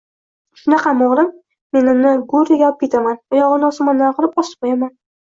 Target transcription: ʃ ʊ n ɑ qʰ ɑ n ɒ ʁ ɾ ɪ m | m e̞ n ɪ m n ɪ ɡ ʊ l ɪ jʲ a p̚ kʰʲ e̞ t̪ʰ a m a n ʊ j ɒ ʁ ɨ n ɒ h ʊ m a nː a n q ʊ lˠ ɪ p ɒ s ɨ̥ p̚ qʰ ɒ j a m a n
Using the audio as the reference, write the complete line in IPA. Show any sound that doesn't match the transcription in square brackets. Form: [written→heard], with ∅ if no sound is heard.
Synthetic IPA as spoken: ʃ ʊ n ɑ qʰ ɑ [n→m] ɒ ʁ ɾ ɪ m | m e̞ n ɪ m n ɪ ɡ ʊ [l→ɾ] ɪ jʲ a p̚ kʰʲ e̞ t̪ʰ a m a n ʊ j ɒ ʁ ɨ n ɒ [h→s] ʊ m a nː a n q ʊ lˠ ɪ p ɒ s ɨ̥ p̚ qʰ [ɒ→o] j a m a n